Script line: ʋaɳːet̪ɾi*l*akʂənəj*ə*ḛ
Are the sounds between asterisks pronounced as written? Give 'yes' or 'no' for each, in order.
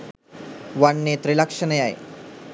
yes, no

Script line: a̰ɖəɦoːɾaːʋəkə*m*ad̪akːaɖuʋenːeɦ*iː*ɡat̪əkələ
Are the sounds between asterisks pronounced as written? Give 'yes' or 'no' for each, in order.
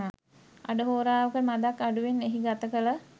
yes, no

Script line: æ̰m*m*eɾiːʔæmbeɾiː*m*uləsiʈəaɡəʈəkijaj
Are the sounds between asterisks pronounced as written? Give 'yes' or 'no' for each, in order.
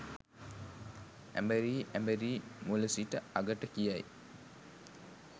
no, yes

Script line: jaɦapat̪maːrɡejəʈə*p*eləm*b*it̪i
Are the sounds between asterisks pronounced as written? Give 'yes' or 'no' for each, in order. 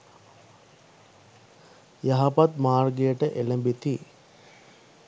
no, yes

